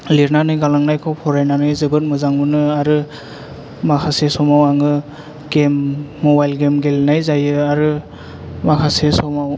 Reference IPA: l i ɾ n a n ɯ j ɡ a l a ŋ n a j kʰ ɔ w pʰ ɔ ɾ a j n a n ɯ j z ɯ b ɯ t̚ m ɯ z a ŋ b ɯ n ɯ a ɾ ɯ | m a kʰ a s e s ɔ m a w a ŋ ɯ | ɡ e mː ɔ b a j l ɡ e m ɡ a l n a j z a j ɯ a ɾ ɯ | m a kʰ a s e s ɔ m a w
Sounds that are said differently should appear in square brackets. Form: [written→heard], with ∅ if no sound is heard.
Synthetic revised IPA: l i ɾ n a n ɯ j ɡ a l a ŋ n a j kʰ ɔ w pʰ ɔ ɾ a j n a n ɯ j z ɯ b ɯ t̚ m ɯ z a ŋ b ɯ n ɯ a ɾ ɯ | m a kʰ a s e s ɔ m a w a ŋ ɯ | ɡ e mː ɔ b a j l ɡ e m ɡ [a→e] l n a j z a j ɯ a ɾ ɯ | m a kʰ a s e s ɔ m a w